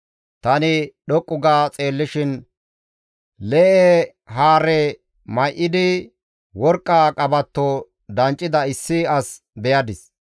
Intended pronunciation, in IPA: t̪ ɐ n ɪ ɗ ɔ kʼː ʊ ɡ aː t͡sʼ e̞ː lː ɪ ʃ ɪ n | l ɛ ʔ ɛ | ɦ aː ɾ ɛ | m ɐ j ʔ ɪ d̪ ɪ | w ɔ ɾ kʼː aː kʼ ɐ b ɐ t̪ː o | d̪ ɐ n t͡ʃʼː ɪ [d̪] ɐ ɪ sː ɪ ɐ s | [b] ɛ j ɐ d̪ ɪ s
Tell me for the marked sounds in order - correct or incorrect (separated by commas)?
correct, correct